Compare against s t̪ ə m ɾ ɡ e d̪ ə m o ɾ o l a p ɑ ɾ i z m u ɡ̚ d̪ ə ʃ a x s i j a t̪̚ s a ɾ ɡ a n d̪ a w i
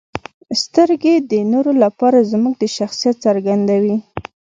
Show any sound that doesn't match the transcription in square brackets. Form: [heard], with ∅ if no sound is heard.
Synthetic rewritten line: s t̪ ə [∅] ɾ ɡ e d̪ ə [n] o ɾ o l a p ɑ ɾ [a] z m u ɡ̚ d̪ ə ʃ a x s i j a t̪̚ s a ɾ ɡ a n d̪ a w i